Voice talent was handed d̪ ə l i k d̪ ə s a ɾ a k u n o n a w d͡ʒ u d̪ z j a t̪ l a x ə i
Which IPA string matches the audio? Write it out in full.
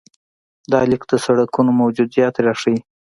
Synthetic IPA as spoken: d̪ ɑ l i k d̪ ə s a ɽ a k u n o m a w d͡ʒ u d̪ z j ɑ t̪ ɾ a ʂ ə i